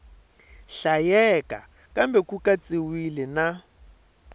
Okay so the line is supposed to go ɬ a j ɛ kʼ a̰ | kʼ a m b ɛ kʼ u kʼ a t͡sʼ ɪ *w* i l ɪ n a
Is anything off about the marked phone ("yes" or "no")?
no